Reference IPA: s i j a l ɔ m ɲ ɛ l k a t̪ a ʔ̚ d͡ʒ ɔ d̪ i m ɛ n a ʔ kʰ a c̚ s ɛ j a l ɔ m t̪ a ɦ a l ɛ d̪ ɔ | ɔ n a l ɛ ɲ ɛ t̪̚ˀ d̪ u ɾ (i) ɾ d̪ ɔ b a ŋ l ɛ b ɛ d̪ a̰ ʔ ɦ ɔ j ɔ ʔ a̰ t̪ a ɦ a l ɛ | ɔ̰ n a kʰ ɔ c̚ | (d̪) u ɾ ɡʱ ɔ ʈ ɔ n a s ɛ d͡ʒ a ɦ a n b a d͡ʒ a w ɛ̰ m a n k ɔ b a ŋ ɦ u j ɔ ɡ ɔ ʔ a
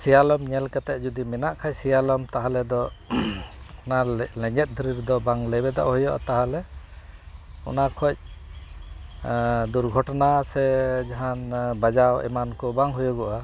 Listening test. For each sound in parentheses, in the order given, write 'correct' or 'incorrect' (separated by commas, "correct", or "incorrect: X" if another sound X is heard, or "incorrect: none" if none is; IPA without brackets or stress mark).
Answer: correct, correct